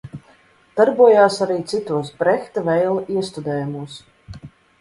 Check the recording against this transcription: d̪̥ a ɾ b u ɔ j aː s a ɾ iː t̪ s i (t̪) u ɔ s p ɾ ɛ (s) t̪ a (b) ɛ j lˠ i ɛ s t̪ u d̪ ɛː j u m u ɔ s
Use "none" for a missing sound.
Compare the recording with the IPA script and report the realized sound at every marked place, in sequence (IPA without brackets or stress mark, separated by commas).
t̪, x, v